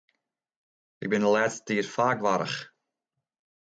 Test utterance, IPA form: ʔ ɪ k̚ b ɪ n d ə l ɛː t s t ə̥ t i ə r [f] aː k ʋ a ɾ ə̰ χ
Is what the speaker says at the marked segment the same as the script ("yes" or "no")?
yes